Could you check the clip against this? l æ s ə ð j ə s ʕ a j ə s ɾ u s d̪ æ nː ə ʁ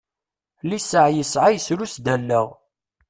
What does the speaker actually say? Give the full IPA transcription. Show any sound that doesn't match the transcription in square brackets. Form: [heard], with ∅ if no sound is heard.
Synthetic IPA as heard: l [i] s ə [ʕ] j ə s ʕ a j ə s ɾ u s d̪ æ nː ə ʁ